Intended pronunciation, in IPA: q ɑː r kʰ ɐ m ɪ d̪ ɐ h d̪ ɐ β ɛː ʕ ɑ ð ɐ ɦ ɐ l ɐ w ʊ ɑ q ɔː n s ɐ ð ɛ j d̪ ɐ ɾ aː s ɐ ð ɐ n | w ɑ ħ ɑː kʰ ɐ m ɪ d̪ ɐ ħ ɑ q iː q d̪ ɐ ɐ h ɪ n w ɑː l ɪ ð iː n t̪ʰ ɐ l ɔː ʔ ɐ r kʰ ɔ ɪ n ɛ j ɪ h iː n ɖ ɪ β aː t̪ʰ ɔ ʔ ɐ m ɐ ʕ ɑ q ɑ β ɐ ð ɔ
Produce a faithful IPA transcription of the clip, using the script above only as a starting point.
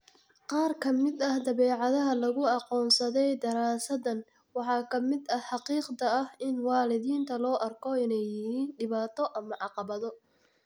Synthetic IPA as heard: q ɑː r kʰ ɐ m ɪ d̪ ɐ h d̪ ɐ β ɛː ʕ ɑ ð ɐ ɦ ɐ l ɐ ɣ ʊ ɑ q ɔː n s ɐ ð ɛ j d̪ ɐ ɾ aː s ɐ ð ɐ n | w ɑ ħ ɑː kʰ ɐ m ɪ d̪ ɐ ħ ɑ q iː q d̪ ɐ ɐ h ɪ n w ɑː l ɪ ð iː n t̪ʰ ɐ l ɔː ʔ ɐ r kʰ ɔ ɪ n ɛ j ɪ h iː n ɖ ɪ β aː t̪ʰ ɔ ʔ ɐ m ɐ ʕ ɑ q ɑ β ɐ ð ɔ